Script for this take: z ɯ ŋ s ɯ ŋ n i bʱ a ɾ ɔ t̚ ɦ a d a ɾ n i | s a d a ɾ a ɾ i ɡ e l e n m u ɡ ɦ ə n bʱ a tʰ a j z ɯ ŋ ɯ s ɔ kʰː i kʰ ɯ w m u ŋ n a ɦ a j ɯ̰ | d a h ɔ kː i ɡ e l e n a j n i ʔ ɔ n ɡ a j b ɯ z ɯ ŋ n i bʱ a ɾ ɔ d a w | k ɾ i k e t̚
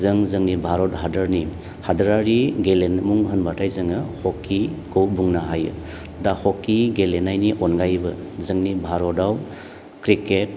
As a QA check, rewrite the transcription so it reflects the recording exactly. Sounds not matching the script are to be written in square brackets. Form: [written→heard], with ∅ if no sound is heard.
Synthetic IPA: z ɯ ŋ [s→z] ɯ ŋ n i bʱ a ɾ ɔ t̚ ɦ a d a ɾ n i | [s→h] a d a ɾ a ɾ i ɡ e l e n m u [ɡ→ŋ] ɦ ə n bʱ a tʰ a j z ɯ ŋ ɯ [s→h] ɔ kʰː i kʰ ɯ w [m→b] u ŋ n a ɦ a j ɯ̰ | d a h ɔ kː i ɡ e l e n a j n i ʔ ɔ n ɡ a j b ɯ z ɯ ŋ n i bʱ a ɾ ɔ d a w | k ɾ i k e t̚